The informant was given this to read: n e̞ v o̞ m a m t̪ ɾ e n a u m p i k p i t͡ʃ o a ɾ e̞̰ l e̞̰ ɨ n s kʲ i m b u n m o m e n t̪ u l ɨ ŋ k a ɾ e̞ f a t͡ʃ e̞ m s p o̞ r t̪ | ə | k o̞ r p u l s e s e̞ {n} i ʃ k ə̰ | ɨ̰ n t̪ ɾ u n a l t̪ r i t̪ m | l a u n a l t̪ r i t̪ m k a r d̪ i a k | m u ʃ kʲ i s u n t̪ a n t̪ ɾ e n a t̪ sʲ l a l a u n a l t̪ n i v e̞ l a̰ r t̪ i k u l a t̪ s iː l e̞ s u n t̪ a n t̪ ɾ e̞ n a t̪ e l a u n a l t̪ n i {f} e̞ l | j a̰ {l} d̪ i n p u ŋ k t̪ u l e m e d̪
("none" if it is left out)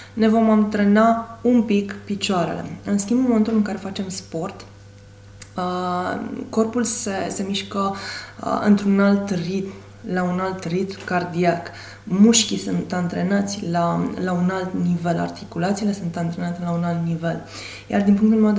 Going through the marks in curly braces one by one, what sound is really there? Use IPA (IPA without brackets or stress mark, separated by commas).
m, v, r